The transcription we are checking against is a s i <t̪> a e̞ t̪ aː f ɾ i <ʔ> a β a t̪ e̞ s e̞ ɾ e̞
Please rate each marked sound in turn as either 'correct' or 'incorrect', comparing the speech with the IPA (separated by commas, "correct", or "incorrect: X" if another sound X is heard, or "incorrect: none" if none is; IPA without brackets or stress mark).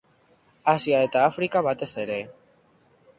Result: incorrect: none, incorrect: k